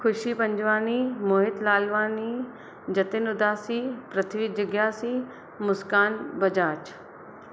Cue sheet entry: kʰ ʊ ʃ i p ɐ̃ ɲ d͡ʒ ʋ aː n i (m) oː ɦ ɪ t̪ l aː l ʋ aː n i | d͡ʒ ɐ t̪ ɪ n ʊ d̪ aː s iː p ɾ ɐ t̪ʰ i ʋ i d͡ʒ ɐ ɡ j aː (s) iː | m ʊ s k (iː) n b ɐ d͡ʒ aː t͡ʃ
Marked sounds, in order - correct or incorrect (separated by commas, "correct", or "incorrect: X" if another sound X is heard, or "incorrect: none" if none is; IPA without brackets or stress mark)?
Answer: correct, correct, incorrect: aː